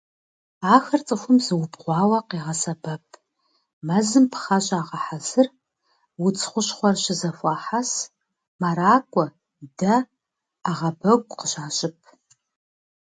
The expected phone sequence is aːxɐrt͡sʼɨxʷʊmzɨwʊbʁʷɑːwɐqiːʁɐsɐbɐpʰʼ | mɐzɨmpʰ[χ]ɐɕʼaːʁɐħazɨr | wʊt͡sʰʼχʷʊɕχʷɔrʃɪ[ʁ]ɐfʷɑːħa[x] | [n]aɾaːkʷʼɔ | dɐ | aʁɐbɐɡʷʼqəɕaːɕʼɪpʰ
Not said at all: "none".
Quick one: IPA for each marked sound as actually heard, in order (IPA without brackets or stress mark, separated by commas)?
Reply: χ, z, s, m